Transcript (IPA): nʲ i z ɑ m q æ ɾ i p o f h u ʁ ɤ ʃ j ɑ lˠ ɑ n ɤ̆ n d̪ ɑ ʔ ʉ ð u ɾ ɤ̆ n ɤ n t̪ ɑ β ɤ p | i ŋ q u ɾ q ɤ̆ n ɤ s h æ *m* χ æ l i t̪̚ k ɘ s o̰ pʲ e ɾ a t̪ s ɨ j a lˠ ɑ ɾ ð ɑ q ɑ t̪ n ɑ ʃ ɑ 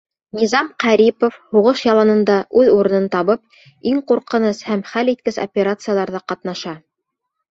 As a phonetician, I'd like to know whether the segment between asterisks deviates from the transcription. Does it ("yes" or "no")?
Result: no